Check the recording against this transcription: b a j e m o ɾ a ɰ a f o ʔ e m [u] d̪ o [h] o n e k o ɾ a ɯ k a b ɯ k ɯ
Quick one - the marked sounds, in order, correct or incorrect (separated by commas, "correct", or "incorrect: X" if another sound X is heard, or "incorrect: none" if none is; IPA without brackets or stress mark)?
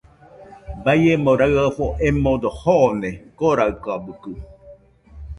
incorrect: o, correct